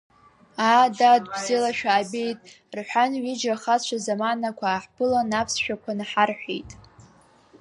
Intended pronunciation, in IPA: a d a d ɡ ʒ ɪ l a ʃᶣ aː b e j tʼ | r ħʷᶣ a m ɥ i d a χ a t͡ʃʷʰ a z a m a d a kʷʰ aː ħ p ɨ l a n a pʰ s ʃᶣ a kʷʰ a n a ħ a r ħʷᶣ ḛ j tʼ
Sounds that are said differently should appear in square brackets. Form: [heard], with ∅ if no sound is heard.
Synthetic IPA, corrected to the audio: a d a d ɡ [z] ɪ l a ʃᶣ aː b e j tʼ | r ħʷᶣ a [n] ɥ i [d͡ʒ] a χ a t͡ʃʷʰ a z a m a [n] a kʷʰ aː ħ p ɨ l a n a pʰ s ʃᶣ a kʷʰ a n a ħ a r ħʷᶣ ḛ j tʼ

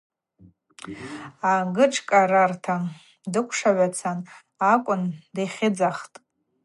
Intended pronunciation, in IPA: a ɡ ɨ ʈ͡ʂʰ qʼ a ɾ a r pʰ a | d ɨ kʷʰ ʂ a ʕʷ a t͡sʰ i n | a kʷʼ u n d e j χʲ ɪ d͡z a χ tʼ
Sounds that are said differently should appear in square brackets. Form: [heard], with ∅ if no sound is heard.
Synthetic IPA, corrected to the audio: a ɡ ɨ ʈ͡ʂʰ [kʼ] a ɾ a r [tʰ] a | d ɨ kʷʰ ʂ a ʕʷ a t͡sʰ [a] n | a kʷʼ [ʊ] n d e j χʲ ɪ d͡z a χ tʼ

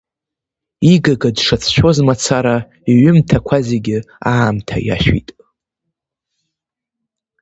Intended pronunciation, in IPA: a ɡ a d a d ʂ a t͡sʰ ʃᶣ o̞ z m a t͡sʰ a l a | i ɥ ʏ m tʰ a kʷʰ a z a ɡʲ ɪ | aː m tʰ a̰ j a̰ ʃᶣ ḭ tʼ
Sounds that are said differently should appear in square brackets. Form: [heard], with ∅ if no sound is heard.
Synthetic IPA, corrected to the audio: [i] ɡ a [ɡ] a d ʂ a t͡sʰ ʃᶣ o̞ z m a t͡sʰ a [ɾ] a | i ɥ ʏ m tʰ a kʷʰ a z [e] ɡʲ ɪ | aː m tʰ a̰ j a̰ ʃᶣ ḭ tʼ

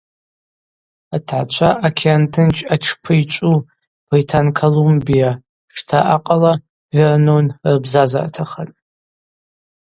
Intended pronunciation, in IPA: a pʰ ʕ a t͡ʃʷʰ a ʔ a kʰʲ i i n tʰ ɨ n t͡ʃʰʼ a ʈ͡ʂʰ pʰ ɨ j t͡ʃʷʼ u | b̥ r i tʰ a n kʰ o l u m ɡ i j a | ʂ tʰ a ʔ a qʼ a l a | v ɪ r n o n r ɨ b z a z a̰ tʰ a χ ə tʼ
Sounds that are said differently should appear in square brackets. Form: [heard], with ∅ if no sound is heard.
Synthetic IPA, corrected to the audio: a [tʰ] ʕ a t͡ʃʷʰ a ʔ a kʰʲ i [a] n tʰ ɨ n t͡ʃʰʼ a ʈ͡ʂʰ pʰ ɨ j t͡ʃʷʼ u | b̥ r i tʰ a n kʰ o l u m [b] i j a | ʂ tʰ a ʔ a qʼ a l a | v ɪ r n o n r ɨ b z a z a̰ tʰ a χ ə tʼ

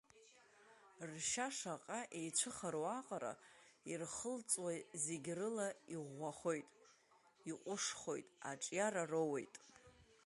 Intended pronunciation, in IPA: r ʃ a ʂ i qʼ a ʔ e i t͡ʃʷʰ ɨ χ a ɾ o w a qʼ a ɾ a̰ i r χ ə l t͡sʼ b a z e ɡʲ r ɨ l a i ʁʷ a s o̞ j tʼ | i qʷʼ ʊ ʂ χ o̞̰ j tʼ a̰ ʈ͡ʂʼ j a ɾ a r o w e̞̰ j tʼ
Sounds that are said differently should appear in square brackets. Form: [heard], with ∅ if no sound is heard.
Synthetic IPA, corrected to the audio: r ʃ a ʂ [a] qʼ a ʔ e [j] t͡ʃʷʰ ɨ χ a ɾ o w a qʼ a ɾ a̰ i r χ ə l t͡sʼ [w] a z e ɡʲ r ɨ l a i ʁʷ a [χ] o̞ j tʼ | i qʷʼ ʊ ʂ χ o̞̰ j tʼ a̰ ʈ͡ʂʼ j a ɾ a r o w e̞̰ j tʼ

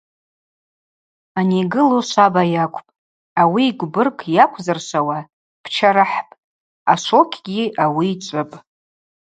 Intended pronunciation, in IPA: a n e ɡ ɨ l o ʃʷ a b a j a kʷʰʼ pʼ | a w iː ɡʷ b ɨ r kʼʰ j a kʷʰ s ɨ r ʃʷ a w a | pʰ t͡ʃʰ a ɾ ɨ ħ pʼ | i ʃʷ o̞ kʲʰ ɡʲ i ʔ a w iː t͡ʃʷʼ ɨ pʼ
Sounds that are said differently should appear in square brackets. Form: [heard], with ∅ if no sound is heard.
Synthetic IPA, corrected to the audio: a n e ɡ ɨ l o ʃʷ a b a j a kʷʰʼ pʼ | a w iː ɡʷ b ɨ r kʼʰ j a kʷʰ [z] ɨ r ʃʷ a w a | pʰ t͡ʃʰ a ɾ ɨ ħ pʼ | [a] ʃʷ o̞ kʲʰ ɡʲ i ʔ a w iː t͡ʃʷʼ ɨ pʼ

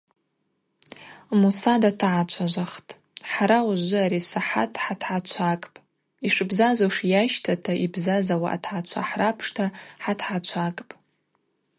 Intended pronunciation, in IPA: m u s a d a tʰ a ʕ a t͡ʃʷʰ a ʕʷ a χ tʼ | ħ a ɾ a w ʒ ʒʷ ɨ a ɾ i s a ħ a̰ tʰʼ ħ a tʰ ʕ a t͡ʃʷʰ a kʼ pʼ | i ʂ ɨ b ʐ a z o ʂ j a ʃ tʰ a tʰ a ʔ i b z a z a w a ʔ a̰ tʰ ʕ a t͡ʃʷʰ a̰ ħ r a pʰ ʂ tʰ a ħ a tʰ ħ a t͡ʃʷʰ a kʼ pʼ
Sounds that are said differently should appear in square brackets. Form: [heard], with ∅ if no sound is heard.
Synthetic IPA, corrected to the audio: m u s a d a tʰ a ʕ a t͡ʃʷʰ a [ʒʷ] a χ tʼ | ħ a ɾ a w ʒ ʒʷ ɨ a ɾ i s a ħ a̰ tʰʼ ħ a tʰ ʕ a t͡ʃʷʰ a kʼ pʼ | i ʂ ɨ b [z] a z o ʂ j a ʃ tʰ a tʰ a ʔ i b z a z a w a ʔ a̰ tʰ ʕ a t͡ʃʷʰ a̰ ħ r a pʰ ʂ tʰ a ħ a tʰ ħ a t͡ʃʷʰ a kʼ pʼ

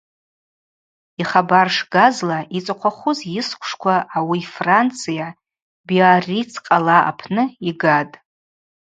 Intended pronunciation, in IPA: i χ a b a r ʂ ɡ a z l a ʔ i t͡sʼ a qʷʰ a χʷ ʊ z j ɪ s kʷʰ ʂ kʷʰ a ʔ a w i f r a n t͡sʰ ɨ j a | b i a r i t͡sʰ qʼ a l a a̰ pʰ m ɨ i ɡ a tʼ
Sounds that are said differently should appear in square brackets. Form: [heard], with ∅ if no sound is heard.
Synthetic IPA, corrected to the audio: i χ a b a r ʂ ɡ a z l a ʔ i t͡sʼ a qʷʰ a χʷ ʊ z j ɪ s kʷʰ ʂ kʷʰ a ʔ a w i f r a n t͡sʰ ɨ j a | b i a r i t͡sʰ qʼ a l a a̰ pʰ [n] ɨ i ɡ a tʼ

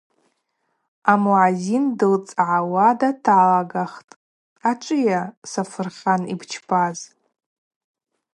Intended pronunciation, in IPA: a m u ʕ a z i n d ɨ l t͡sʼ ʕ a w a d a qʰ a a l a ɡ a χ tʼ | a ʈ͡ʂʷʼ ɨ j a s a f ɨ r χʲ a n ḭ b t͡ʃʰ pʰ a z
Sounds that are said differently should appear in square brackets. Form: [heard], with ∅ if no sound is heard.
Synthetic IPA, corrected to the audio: a m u ʕ a z i n d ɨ l t͡sʼ ʕ a w a d a [tʰ] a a l a ɡ a χ tʼ | a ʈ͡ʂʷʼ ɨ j a s a f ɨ r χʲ a n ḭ b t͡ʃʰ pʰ a z

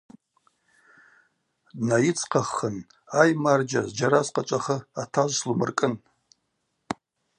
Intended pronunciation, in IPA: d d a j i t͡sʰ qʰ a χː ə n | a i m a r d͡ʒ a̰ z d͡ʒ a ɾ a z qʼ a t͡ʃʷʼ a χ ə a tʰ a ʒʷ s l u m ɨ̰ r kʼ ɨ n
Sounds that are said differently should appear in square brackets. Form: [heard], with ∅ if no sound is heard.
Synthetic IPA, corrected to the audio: d [n] a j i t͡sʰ qʰ a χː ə n | a [j] m a r d͡ʒ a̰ z d͡ʒ a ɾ a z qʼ a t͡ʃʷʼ a χ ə a tʰ a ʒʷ s l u m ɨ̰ r kʼ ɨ n

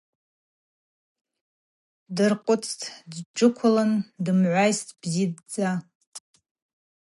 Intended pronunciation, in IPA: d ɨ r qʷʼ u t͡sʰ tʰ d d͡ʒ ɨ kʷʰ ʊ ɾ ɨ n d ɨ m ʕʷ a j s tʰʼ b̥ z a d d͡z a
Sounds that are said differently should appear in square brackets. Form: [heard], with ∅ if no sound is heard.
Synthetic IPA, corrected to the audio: d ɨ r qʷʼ [ʊ] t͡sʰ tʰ d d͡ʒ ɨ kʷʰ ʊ [l] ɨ n d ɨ m ʕʷ a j s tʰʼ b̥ z [i] d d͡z a

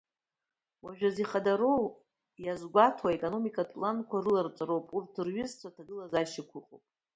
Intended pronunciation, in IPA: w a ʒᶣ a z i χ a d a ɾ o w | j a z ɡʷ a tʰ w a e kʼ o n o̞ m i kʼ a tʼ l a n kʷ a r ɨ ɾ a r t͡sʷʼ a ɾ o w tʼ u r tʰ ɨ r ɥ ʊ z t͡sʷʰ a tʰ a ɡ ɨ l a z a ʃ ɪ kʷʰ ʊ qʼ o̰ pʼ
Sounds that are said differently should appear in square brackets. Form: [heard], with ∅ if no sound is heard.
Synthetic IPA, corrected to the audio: w a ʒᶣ a z i χ a d a ɾ o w | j a z ɡʷ a tʰ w a e kʼ o n o̞ m i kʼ a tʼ l a n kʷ a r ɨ [l] a r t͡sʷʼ a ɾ o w [pʼ] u r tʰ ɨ r ɥ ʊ z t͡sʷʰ a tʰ a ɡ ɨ l a z a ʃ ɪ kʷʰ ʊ qʼ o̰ pʼ

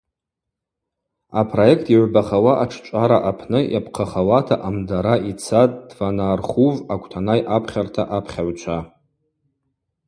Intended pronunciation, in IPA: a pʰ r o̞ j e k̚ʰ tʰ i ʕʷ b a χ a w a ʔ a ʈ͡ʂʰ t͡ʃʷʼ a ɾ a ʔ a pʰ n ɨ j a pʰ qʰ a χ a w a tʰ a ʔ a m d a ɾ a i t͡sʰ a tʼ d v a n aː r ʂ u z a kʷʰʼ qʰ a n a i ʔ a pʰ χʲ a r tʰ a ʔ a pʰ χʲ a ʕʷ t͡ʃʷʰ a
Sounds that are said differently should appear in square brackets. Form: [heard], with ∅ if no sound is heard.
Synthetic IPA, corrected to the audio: a pʰ r o̞ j e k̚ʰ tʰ i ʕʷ b a χ a w a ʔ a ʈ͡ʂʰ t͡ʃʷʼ a ɾ a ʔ a pʰ n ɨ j a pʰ qʰ a χ a w a tʰ a ʔ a m d a ɾ a i t͡sʰ a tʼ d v a n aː r [χ] u [v] a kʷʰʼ [tʰ] a n a [j] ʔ a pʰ χʲ a r tʰ a ʔ a pʰ χʲ a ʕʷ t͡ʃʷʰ a

